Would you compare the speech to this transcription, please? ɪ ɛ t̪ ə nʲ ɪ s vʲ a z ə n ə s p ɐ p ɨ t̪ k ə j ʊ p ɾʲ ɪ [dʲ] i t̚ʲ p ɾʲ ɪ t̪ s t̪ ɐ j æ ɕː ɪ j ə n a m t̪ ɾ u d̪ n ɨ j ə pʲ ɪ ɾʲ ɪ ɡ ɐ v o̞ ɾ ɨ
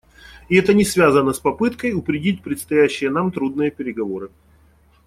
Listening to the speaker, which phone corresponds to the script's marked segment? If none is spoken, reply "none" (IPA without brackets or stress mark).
dʲ